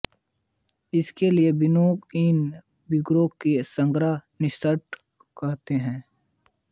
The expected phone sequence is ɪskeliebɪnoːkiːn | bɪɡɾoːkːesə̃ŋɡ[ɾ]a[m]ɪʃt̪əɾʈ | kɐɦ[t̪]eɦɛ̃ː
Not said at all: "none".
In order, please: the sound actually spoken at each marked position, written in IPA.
ɾ, n, t̪

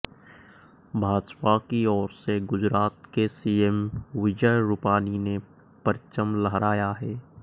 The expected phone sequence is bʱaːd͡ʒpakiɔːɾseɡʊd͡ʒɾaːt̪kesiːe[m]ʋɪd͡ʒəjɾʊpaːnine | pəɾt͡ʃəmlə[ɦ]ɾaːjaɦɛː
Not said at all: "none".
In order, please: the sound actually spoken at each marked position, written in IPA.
m, ɦ

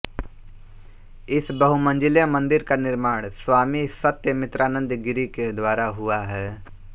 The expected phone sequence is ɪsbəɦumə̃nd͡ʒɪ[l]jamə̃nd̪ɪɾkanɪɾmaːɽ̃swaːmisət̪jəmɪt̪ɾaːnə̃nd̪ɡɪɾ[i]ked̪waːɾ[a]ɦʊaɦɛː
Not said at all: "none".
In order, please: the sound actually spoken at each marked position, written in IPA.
l, i, a

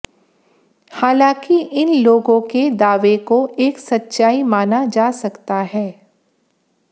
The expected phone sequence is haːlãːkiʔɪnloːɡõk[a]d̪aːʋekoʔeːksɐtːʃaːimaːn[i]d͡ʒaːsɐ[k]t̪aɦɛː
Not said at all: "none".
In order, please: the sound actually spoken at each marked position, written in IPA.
e, a, k

